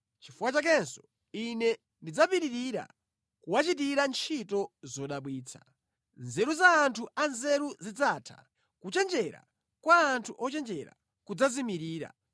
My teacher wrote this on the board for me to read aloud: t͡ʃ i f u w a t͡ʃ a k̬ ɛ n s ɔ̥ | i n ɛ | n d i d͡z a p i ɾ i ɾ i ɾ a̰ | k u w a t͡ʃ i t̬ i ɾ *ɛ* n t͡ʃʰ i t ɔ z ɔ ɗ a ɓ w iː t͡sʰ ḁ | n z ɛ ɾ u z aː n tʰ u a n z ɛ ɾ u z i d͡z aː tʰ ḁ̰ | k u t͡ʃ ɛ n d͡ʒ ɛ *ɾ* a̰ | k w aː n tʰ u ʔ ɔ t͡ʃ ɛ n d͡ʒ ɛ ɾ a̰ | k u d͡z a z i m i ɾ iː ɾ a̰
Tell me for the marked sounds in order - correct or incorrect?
incorrect: a, correct

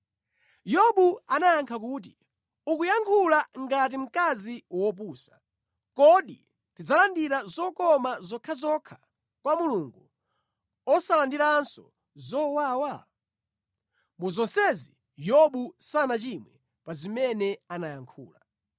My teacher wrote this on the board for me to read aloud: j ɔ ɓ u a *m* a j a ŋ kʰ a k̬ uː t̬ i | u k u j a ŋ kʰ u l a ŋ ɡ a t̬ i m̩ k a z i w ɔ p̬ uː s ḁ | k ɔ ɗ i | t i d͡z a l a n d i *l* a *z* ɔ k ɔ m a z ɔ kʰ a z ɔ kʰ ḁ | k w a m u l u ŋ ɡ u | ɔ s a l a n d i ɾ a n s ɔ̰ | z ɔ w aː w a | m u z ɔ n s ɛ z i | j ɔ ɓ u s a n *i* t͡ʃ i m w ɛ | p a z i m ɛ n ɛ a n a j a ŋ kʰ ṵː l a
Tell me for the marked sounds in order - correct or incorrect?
incorrect: n, incorrect: ɾ, correct, incorrect: a

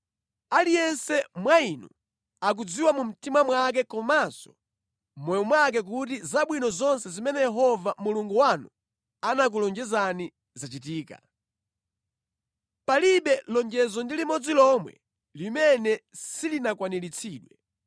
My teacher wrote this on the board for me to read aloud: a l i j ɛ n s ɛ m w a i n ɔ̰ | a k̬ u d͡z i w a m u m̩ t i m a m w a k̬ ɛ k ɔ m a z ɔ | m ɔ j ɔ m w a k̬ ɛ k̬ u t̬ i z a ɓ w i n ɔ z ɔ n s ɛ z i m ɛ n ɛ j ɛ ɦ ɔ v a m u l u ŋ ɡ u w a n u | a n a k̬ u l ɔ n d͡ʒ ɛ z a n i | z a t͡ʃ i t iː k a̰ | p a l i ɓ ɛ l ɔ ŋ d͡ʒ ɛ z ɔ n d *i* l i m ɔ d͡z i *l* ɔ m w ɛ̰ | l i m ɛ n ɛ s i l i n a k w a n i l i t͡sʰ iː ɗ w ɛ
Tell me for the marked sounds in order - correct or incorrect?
correct, correct

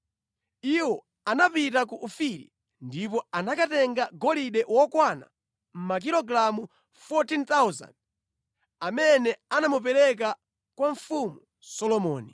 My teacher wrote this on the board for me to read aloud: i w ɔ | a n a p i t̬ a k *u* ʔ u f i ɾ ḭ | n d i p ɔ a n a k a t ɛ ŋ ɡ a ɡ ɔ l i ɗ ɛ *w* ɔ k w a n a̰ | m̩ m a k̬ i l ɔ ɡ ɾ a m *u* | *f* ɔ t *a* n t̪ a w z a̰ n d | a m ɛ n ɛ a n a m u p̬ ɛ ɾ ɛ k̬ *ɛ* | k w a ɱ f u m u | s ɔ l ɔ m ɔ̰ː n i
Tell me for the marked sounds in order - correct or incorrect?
correct, correct, correct, correct, incorrect: i, incorrect: a

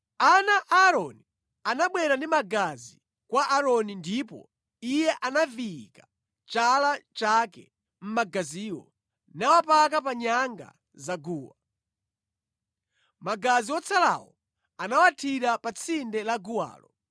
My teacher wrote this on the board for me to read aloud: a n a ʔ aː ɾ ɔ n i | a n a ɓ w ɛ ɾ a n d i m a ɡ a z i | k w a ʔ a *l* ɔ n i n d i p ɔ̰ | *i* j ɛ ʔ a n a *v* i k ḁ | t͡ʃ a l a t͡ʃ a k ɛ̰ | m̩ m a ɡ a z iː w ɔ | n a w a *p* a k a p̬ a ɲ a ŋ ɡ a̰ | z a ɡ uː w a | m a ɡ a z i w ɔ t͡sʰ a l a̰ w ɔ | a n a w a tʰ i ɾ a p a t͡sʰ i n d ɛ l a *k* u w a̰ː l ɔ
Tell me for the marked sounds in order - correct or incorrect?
incorrect: ɾ, correct, correct, correct, incorrect: ɡ

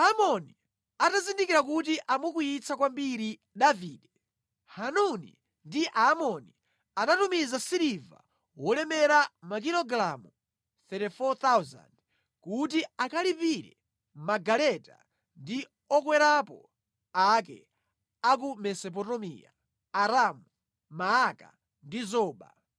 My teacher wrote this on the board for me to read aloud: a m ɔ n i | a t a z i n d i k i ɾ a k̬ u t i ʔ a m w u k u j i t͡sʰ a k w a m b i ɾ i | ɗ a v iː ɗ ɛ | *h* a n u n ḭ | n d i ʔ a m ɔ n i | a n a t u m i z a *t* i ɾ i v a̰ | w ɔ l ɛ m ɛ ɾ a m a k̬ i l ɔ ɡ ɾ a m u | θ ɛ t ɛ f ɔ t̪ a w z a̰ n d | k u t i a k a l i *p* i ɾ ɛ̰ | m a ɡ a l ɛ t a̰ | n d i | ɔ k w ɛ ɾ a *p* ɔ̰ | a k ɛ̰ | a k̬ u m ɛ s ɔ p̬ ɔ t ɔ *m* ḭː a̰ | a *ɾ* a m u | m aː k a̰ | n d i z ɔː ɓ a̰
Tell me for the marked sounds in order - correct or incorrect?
correct, incorrect: s, correct, correct, correct, correct

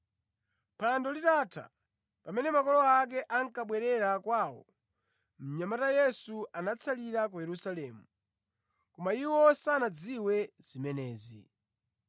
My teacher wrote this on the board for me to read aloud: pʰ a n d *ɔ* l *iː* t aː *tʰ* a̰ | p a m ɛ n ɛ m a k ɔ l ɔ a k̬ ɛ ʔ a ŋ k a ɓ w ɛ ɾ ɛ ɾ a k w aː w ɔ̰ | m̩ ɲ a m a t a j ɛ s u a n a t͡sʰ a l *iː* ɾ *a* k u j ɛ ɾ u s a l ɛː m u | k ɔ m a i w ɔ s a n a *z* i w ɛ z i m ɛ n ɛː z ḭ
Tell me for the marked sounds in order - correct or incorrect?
correct, incorrect: i, correct, incorrect: i, correct, incorrect: d͡z

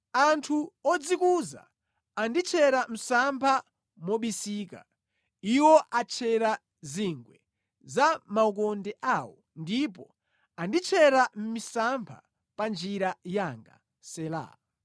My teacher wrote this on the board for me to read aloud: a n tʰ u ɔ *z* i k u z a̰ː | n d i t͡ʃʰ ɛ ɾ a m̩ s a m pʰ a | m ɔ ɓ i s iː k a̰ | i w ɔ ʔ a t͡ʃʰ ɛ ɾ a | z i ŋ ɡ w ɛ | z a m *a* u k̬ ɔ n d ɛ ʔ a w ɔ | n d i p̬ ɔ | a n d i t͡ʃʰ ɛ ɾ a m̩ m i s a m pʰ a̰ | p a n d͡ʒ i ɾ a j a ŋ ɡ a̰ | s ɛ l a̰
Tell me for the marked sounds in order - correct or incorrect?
incorrect: d͡z, correct

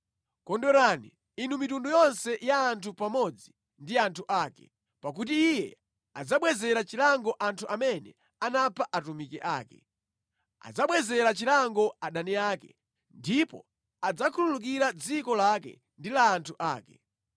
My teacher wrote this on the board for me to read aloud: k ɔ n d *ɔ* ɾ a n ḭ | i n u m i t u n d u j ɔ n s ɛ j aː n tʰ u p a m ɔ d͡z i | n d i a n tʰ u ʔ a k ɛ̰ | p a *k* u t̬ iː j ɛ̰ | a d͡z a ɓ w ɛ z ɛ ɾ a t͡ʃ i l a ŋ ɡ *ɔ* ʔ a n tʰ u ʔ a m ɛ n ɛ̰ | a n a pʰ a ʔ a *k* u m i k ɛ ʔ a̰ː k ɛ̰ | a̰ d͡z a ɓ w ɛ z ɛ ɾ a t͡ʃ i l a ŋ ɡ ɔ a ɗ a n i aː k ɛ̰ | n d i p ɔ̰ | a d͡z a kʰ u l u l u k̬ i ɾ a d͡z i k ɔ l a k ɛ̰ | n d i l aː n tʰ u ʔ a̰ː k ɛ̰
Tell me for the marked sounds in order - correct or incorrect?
correct, correct, correct, incorrect: t

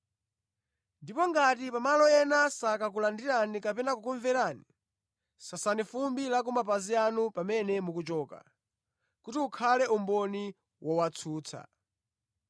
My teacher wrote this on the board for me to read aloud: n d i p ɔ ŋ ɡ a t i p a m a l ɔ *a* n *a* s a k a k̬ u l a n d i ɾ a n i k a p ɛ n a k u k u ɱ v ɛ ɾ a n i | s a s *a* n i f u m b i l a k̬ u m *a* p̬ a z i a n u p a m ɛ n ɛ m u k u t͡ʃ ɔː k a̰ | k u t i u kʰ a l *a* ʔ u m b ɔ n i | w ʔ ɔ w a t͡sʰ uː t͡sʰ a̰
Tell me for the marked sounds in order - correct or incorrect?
incorrect: ɛ, correct, correct, correct, incorrect: ɛ

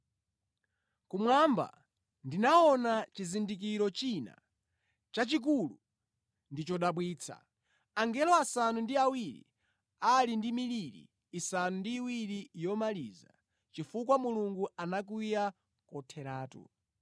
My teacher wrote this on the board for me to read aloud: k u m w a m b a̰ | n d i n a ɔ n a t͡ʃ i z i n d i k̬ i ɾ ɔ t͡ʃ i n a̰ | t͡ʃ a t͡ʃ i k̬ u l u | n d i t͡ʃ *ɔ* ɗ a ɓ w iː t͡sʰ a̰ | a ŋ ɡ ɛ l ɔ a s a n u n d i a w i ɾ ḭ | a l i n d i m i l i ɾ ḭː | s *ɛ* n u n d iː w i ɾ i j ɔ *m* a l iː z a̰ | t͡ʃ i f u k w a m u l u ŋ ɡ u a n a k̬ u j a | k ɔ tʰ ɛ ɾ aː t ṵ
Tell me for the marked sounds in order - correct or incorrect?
correct, incorrect: a, correct

